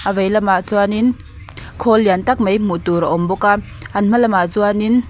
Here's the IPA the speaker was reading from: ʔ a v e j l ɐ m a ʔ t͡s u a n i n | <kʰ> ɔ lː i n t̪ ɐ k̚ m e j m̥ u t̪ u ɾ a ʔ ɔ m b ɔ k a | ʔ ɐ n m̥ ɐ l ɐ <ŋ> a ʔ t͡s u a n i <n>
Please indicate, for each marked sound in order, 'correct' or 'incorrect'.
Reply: correct, incorrect, correct

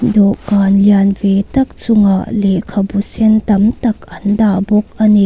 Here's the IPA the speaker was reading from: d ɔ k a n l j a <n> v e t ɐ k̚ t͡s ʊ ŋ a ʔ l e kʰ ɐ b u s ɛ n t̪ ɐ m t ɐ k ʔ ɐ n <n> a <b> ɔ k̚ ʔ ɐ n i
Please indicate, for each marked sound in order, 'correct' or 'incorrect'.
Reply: correct, incorrect, correct

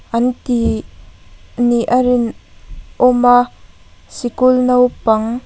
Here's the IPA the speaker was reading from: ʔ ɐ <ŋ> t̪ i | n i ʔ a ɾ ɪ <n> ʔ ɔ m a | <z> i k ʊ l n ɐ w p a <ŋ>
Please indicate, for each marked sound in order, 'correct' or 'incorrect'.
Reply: incorrect, correct, incorrect, correct

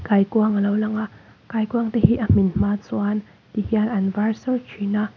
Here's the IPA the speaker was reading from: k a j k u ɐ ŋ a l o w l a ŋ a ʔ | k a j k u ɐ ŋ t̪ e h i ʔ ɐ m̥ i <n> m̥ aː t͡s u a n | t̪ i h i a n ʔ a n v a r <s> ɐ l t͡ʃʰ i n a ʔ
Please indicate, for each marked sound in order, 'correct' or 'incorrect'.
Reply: correct, correct

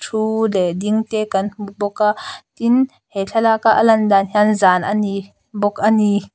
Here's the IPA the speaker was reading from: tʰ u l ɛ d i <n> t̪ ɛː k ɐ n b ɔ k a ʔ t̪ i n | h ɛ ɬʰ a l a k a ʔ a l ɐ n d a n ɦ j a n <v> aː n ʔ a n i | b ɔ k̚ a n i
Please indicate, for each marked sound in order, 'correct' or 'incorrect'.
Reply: incorrect, incorrect

